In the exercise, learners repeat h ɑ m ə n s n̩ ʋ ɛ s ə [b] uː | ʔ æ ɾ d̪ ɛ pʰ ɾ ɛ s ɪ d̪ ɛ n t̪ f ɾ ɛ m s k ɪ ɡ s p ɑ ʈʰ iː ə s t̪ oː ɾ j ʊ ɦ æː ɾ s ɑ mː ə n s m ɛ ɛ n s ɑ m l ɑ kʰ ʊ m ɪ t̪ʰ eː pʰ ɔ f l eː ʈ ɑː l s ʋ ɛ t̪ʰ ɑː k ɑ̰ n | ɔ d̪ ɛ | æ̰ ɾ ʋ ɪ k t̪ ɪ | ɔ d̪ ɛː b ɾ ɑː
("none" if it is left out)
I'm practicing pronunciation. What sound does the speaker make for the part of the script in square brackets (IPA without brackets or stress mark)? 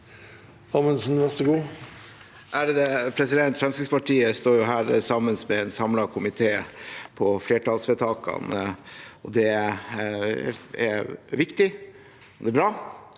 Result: ɡ